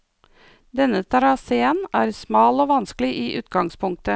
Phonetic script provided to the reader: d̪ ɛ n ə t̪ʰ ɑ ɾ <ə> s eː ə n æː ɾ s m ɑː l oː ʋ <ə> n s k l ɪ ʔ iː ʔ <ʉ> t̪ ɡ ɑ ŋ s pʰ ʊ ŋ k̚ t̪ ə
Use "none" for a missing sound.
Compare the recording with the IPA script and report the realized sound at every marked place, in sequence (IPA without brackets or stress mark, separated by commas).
ɑ, ɑ, ʉː